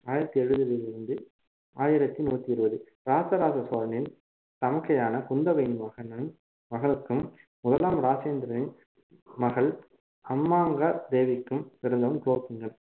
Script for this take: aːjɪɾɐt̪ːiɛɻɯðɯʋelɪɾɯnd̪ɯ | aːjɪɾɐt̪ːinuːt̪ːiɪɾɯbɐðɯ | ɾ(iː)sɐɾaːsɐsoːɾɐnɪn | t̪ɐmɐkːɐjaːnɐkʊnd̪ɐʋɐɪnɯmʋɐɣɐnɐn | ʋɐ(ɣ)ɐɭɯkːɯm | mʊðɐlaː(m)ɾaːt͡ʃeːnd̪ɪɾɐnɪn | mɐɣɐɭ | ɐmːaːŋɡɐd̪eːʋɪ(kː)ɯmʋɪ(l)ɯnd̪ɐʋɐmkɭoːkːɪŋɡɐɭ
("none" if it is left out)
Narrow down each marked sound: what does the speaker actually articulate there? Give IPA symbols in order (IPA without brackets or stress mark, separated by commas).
aː, ɣ, m, kː, ɾ